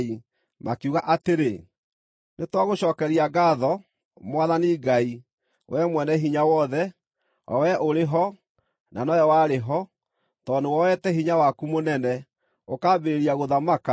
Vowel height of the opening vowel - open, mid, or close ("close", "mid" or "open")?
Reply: close